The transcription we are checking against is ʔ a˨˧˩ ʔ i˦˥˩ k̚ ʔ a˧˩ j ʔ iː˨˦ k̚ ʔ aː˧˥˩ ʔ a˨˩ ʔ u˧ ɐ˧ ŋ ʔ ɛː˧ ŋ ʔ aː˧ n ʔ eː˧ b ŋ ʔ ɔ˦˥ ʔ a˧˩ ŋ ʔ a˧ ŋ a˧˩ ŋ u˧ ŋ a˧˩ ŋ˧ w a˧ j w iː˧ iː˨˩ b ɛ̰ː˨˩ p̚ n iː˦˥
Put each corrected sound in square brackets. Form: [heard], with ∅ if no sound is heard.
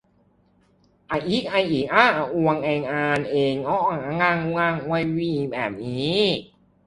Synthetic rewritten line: ʔ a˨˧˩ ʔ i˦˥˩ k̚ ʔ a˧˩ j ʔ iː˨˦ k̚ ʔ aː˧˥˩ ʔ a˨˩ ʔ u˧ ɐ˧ ŋ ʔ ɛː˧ ŋ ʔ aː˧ n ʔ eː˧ [∅] ŋ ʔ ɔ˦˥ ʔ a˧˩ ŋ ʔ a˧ ŋ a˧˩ ŋ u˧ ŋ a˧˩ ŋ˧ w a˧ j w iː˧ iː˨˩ b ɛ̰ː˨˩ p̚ n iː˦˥